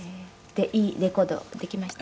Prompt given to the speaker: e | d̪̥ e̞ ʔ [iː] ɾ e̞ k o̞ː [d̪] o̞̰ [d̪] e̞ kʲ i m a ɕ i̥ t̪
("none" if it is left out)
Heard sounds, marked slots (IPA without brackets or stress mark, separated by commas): iː, d̪, d̪